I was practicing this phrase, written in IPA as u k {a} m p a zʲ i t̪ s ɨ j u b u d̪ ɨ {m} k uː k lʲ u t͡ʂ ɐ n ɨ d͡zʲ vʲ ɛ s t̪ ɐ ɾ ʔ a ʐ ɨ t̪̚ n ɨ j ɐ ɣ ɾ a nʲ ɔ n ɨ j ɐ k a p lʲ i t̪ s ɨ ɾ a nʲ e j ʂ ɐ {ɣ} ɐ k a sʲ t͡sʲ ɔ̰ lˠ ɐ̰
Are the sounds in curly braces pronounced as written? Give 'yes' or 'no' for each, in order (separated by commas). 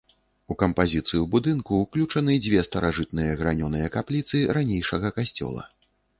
no, no, yes